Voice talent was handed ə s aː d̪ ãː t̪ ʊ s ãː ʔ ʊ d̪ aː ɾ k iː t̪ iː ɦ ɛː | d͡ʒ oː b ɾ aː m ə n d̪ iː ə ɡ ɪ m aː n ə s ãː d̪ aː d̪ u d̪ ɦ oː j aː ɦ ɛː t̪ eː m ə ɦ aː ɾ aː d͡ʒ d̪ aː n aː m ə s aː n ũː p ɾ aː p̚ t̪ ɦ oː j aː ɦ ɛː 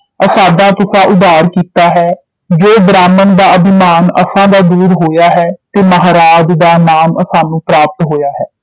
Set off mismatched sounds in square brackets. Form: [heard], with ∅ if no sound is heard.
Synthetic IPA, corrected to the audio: ə s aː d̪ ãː t̪ ʊ s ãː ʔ ʊ d̪ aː ɾ k iː t̪ [aː] ɦ ɛː | d͡ʒ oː b ɾ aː m ə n d̪ [aː] ə [b] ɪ m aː n ə s ãː d̪ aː d̪ [uː] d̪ ɦ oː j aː ɦ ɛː t̪ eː m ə ɦ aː ɾ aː d͡ʒ d̪ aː n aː m ə s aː n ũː p ɾ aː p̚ t̪ ɦ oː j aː ɦ ɛː